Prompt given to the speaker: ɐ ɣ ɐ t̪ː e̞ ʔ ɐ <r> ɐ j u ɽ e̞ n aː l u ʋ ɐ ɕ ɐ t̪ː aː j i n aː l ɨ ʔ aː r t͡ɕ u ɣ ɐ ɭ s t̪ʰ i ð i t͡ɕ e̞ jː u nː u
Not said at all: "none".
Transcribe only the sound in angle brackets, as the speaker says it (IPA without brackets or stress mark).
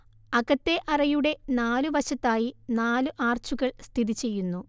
r